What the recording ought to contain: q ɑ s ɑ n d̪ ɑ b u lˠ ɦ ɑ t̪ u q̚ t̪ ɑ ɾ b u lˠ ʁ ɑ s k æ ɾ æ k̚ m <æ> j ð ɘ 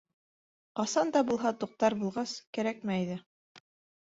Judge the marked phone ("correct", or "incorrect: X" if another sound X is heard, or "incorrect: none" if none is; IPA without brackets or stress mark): correct